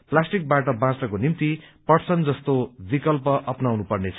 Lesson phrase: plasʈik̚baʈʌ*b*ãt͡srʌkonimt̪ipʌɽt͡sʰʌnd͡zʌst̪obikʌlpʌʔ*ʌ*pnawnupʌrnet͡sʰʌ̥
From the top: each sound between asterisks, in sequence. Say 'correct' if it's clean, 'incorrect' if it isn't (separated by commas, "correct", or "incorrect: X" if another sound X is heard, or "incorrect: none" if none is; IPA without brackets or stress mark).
correct, correct